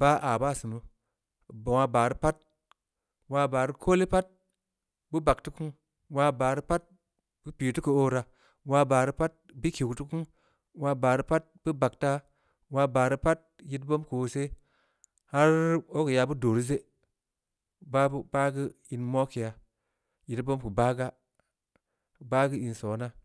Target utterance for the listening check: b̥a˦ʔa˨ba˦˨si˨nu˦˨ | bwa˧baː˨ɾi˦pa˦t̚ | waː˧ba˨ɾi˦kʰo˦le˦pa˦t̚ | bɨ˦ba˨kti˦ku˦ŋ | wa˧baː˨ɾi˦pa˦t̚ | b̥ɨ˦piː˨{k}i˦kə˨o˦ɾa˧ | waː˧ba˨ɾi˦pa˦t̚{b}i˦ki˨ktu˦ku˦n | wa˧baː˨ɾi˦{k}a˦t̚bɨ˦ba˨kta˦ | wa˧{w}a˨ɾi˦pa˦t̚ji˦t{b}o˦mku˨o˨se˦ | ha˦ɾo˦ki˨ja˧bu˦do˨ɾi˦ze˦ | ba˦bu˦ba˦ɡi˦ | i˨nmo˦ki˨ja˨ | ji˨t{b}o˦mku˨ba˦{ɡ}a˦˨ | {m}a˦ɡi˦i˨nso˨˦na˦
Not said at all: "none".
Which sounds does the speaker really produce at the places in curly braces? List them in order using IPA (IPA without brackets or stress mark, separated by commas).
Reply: t, b, p, b, b, b, ɡ, b